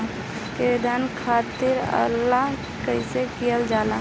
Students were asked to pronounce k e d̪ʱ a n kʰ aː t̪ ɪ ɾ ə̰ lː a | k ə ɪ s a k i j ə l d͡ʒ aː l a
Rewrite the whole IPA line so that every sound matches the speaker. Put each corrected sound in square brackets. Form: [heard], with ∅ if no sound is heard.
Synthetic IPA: k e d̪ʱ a n kʰ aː t̪ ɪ ɾ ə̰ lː a | k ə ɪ s [e] k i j ə l d͡ʒ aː l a

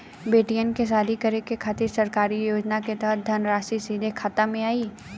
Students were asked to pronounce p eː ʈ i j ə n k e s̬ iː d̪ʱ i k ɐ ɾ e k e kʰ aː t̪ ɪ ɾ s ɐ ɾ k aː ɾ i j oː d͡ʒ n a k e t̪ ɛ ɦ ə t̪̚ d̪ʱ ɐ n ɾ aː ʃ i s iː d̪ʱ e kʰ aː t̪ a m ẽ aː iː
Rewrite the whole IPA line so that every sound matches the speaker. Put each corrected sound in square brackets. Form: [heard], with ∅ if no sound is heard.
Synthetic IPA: [b] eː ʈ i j ə n k e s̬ [aː] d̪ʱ i k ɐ ɾ e k e kʰ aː t̪ ɪ ɾ s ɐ ɾ k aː ɾ i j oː d͡ʒ n a k e t̪ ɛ ɦ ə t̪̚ d̪ʱ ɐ n ɾ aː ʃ i s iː d̪ʱ e kʰ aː t̪ a m ẽ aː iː

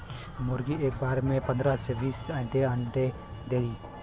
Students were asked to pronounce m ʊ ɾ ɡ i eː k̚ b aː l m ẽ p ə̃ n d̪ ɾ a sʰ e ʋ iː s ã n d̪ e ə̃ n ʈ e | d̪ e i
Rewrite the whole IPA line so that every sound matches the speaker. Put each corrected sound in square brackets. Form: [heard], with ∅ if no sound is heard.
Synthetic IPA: m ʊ ɾ ɡ i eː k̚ b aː [ɾ] m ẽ p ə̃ n d̪ ɾ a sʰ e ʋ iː s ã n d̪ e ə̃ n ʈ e | d̪ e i

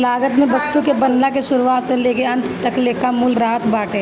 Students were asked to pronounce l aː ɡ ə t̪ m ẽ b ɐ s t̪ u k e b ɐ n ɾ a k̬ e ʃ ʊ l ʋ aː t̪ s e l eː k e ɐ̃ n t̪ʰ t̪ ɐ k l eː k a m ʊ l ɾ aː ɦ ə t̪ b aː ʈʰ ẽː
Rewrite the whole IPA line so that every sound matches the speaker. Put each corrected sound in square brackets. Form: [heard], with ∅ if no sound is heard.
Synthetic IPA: l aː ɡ ə t̪ m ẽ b ɐ s t̪ u k e b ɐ n [l] a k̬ e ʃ ʊ [ɾ] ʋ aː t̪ s e l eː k e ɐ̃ n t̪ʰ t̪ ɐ k l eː k a m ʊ l ɾ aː ɦ ə t̪ b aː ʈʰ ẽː

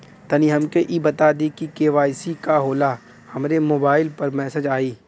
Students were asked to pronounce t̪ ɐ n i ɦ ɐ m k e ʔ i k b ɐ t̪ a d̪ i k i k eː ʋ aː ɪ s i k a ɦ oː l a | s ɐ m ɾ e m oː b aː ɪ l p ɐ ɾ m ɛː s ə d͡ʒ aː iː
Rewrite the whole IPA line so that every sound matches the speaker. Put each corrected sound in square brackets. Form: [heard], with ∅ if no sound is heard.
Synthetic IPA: t̪ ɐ n i ɦ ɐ m k e ʔ i [∅] b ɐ t̪ a d̪ i k i k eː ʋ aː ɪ s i k a ɦ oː l a | [h] ɐ m ɾ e m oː b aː ɪ l p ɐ ɾ m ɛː s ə d͡ʒ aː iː

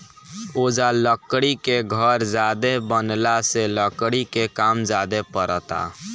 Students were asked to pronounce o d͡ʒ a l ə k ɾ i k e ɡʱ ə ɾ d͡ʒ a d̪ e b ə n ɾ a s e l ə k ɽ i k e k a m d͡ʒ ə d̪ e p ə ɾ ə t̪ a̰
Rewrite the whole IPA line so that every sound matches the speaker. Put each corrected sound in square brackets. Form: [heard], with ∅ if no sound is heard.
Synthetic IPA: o d͡ʒ a l ə k [ɽ] i k e ɡʱ ə ɾ d͡ʒ a d̪ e b ə n [l] a s e l ə k ɽ i k e k a m d͡ʒ [a] d̪ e p ə ɾ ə t̪ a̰

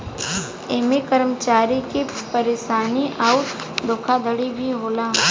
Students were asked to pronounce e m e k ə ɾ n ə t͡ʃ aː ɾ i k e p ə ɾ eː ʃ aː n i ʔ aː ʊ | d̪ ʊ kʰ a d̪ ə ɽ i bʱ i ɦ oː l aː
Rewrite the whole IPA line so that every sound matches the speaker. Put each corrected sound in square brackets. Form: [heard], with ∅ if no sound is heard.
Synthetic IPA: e m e k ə ɾ [m] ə t͡ʃ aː ɾ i k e p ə ɾ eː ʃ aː n i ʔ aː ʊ | d̪ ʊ kʰ a d̪ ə ɽ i bʱ i ɦ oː l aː

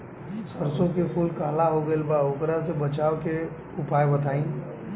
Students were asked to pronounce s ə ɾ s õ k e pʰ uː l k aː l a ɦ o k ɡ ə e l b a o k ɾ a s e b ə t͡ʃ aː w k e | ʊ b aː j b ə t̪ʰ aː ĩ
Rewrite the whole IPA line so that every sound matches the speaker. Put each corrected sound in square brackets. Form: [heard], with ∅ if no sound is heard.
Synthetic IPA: s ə ɾ s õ k e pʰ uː l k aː l a ɦ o [∅] ɡ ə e l b a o k ɾ a s e b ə t͡ʃ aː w k e | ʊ [p] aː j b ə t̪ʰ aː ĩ

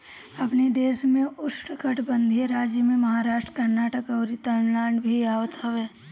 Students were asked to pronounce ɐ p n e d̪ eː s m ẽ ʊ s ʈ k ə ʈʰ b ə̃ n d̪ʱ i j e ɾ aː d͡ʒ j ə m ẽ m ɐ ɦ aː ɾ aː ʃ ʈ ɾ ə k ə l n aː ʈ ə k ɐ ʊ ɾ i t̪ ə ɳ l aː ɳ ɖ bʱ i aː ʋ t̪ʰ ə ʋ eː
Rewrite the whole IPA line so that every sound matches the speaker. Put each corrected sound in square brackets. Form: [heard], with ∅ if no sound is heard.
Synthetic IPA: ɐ p n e d̪ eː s m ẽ ʊ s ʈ k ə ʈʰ b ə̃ n d̪ʱ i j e ɾ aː d͡ʒ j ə m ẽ m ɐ ɦ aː ɾ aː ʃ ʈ ɾ ə k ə [ɾ] n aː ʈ ə k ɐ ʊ ɾ i t̪ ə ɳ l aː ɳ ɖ bʱ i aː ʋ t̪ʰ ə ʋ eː

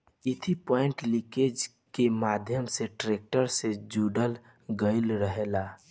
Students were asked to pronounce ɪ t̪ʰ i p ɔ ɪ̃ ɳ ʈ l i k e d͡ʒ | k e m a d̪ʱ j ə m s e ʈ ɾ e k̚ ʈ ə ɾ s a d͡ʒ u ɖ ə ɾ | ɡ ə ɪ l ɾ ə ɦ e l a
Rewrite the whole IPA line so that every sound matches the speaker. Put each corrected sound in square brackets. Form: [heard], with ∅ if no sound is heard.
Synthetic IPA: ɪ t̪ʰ i p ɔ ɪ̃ ɳ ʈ l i k e d͡ʒ | k e m a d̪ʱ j ə m s e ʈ ɾ e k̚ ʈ ə ɾ s [e] d͡ʒ u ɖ ə [l] | ɡ ə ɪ l ɾ ə ɦ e l a

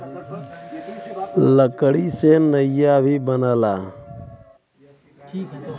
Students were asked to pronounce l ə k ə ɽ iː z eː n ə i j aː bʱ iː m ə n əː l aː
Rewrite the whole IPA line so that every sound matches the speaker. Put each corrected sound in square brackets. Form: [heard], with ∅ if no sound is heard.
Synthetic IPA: l ə k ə ɽ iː [s] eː n ə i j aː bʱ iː [b] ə n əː l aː

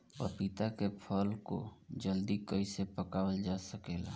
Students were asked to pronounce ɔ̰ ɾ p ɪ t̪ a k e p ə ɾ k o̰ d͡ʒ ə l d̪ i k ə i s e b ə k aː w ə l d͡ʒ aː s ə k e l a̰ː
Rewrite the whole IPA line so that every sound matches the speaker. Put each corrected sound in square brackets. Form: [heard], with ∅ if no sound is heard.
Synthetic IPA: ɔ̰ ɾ p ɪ t̪ a k e [pʰ] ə [l] k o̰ d͡ʒ ə l d̪ i k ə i s e [p] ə k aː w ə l d͡ʒ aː s ə k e l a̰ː

